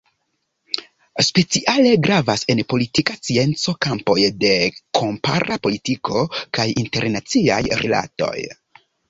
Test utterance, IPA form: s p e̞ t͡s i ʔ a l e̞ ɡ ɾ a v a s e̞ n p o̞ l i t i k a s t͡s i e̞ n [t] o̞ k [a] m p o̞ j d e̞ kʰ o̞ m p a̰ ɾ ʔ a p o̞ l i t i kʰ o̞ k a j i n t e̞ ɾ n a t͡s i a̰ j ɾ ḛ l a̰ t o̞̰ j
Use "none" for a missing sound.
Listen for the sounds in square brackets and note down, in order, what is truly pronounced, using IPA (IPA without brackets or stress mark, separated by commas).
t͡s, a